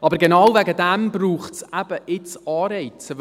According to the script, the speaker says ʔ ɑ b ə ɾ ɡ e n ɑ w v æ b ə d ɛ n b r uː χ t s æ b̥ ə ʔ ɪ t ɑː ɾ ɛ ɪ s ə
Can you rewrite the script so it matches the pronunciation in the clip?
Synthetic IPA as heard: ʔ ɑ b ə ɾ ɡ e n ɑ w v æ ɡ ə d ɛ m b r uː χ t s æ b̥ ə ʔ ɪ t͡s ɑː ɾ ɛ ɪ t͡s ə